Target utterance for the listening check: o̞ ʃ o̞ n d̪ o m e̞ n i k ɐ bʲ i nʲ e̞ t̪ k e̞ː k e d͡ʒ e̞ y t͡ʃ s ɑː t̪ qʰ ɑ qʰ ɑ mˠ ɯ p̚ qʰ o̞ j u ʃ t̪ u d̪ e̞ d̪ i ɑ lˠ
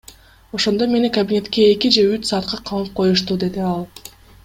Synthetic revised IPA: o̞ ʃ o̞ n d̪ o m e̞ n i k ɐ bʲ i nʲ e̞ t̪ k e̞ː k i d͡ʒ e̞ y t͡ʃ s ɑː t̪ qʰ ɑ qʰ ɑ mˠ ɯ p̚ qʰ o̞ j u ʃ t̪ u d̪ e̞ d̪ i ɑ lˠ